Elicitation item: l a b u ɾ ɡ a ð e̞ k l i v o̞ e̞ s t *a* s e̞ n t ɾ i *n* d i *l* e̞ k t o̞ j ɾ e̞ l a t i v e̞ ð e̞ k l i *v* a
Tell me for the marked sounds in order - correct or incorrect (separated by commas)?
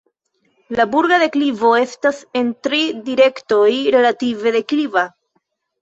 correct, incorrect, incorrect, correct